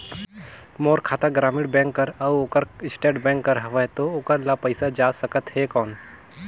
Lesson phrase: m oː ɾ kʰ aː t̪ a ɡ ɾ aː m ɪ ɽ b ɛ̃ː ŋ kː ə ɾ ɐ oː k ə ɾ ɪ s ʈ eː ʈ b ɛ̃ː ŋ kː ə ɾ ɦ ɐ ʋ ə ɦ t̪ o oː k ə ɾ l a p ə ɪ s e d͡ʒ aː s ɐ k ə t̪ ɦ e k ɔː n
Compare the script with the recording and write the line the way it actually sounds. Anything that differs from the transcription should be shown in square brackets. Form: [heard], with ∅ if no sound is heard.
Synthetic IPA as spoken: m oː ɾ kʰ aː t̪ a ɡ ɾ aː m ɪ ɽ b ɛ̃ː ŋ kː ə ɾ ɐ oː k ə ɾ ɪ s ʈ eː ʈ b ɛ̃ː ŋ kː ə ɾ ɦ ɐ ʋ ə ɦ t̪ o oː k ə ɾ l a p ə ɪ s [a] d͡ʒ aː s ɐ k ə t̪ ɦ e k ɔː n